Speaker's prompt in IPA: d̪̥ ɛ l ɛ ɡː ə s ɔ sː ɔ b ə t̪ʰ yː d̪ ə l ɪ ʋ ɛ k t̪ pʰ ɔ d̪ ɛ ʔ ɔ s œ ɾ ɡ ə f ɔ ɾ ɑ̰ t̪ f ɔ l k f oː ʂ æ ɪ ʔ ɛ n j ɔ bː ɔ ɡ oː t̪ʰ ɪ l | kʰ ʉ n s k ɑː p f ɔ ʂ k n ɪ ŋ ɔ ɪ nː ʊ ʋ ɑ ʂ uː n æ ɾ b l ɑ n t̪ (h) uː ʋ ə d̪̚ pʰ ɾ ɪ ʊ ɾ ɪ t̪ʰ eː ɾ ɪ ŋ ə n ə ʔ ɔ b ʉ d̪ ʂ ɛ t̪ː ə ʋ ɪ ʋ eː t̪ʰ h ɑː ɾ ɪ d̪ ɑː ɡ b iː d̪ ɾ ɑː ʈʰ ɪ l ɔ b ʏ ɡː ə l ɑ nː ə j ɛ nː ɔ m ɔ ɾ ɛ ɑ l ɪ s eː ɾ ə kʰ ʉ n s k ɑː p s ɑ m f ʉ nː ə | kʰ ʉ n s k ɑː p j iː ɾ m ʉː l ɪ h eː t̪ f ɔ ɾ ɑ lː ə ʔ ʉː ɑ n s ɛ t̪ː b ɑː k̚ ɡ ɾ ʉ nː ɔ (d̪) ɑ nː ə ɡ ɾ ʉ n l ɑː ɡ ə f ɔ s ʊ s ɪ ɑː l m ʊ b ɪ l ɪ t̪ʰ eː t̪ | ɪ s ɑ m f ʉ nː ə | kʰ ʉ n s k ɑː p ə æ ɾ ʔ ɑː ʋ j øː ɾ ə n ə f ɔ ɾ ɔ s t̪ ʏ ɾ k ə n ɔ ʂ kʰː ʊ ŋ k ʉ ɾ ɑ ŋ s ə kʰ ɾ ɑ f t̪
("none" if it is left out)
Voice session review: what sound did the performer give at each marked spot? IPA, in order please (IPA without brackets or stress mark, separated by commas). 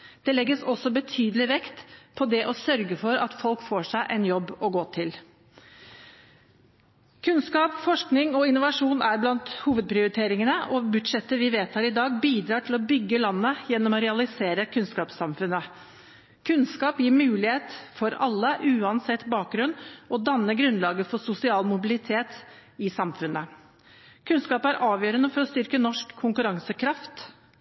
h, d̪